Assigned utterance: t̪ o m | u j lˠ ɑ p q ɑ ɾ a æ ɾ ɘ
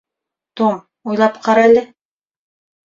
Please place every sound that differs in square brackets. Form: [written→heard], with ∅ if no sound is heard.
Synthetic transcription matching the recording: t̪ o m | u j lˠ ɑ p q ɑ ɾ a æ [ɾ→l] ɘ